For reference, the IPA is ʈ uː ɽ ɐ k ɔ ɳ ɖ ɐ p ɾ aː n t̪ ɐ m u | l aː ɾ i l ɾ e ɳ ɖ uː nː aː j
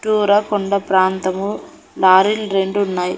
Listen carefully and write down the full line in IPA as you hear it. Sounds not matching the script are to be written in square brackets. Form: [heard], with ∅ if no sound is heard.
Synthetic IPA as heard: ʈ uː [ɾ] ɐ k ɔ ɳ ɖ ɐ p ɾ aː n t̪ ɐ m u | l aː ɾ i l ɾ e ɳ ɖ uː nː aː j